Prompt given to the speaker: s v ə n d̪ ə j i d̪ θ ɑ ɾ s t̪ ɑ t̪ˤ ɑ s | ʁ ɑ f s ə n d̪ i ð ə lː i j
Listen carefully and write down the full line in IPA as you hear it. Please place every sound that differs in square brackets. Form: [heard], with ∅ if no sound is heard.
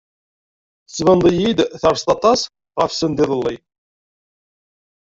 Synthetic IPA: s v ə n d̪ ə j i d̪ θ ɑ ɾ s t̪ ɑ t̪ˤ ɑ s | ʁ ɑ f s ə n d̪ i ð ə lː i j